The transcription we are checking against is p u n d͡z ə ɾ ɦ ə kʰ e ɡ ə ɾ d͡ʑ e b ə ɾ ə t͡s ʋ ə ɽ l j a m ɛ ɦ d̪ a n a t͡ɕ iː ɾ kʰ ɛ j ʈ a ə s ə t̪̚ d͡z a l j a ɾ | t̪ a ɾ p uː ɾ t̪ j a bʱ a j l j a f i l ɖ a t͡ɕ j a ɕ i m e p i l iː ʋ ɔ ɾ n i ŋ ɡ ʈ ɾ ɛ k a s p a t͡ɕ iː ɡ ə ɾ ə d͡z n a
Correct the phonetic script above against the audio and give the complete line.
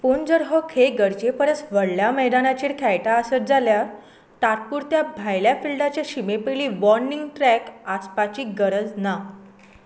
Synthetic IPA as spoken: p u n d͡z ə ɾ ɦ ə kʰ e ɡ ə ɾ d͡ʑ e p ə ɾ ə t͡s ʋ ə ɽ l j a m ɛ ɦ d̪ a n a t͡ɕ iː ɾ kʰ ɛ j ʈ a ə s ə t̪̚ d͡z a l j a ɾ | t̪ a ɾ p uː ɾ t̪ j a bʱ a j l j a f i l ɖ a t͡ɕ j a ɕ i m e p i l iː ʋ ɔ ɾ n i ŋ ɡ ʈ ɾ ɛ k a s p a t͡ɕ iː ɡ ə ɾ ə d͡z n a